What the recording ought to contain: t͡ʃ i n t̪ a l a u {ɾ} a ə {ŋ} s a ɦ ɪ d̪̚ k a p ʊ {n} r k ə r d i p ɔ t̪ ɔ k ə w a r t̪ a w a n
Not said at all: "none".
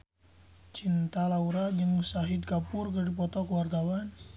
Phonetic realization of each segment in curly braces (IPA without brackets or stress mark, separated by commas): ɾ, ŋ, none